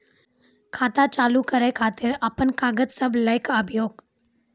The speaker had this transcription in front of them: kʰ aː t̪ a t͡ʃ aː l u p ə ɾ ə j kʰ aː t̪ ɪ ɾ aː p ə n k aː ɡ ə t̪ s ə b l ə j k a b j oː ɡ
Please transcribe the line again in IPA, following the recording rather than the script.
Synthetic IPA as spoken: kʰ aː t̪ a t͡ʃ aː l u k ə ɾ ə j kʰ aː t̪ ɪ ɾ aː p ə n k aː ɡ ə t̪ s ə b l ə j k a b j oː ɡ